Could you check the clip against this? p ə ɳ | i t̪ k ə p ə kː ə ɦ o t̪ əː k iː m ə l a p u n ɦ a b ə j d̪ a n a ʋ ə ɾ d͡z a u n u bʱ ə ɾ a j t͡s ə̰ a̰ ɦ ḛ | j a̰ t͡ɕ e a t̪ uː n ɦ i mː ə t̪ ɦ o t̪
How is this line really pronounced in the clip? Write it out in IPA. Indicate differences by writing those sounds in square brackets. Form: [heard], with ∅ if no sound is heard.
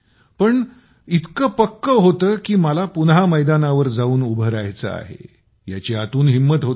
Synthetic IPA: p ə ɳ | i t̪ k ə p ə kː ə ɦ o t̪ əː k iː m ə l a p u n ɦ a [m] ə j d̪ a n a ʋ ə ɾ d͡z a [uː] n u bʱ ə ɾ a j t͡s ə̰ a̰ ɦ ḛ | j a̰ t͡ɕ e a t̪ uː n ɦ i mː ə t̪ ɦ o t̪

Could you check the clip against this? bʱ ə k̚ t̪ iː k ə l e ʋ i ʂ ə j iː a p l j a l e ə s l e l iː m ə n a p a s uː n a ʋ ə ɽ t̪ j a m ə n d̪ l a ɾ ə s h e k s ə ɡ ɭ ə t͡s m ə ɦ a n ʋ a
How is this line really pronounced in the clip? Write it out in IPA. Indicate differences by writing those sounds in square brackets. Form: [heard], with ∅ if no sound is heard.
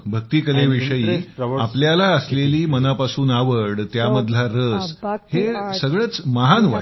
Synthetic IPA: bʱ ə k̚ t̪ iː k ə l e ʋ i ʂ ə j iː a p l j a l [a] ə s l e l iː m ə n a p a s uː n a ʋ ə ɽ t̪ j a m ə [∅] d̪ l a ɾ ə s h e [∅] s ə ɡ ɭ ə t͡s m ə ɦ a n ʋ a

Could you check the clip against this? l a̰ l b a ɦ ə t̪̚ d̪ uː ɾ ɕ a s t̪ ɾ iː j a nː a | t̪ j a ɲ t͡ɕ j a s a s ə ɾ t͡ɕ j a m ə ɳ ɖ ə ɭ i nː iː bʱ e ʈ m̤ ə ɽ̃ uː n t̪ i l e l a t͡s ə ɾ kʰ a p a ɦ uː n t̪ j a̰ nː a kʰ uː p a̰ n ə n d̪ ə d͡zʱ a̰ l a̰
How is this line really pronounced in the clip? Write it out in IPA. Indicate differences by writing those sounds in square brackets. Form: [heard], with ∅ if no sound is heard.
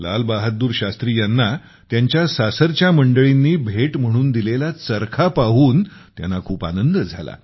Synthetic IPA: l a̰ l b a ɦ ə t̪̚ d̪ uː ɾ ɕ a s t̪ ɾ iː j a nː a | t̪ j a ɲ t͡ɕ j a s a s ə ɾ t͡ɕ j a m ə ɳ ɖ ə ɭ i nː iː bʱ e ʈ m̤ ə ɽ̃ uː n [d̪] i l e l a t͡s ə ɾ kʰ a p a ɦ uː n t̪ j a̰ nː a kʰ uː p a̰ n ə n d̪ ə d͡zʱ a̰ l a̰

